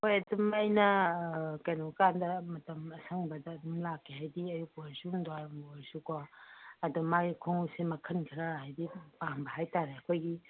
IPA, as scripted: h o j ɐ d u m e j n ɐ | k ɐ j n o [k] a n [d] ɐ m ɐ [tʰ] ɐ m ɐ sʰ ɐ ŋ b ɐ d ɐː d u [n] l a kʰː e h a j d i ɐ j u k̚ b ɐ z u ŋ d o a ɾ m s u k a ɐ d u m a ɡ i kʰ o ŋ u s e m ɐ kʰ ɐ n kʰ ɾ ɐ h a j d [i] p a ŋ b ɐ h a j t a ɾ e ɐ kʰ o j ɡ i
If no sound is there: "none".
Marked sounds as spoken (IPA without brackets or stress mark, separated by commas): k, d, t, m, i